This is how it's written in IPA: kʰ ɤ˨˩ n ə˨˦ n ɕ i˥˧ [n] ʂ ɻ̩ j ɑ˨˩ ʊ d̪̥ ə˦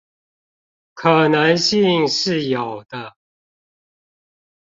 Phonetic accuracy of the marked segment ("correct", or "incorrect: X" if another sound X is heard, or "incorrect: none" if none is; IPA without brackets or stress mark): incorrect: ŋ